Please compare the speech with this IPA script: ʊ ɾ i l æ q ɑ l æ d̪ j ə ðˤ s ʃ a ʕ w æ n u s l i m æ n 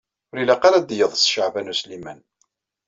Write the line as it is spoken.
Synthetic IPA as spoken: ʊ ɾ i l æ q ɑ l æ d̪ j ə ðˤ s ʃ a ʕ v æ n u s l i m æ n